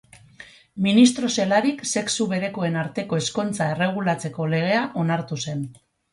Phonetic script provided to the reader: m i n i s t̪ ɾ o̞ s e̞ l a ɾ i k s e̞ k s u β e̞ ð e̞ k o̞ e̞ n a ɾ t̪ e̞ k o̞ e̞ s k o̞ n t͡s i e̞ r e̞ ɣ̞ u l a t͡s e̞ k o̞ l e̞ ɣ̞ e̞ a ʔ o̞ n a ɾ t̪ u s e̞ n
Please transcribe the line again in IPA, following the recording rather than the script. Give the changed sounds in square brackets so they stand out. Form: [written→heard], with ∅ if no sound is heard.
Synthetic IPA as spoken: m i n i s t̪ ɾ o̞ s e̞ l a ɾ i k s e̞ k s u β e̞ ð e̞ k o̞ e̞ n a ɾ t̪ e̞ k o̞ e̞ s k o̞ n t͡s [i→a] e̞ r e̞ ɣ̞ u l a t͡s e̞ k o̞ l e̞ ɣ̞ e̞ a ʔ o̞ n a ɾ t̪ u s e̞ n